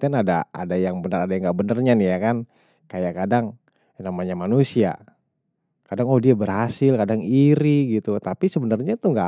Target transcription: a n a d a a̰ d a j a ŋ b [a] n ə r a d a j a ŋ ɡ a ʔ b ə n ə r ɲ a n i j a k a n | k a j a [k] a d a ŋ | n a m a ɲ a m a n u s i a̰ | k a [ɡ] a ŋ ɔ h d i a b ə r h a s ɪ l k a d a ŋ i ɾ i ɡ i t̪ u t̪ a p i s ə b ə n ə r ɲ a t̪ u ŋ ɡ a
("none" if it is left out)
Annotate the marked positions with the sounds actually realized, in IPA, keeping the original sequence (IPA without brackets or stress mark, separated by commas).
ə, k, d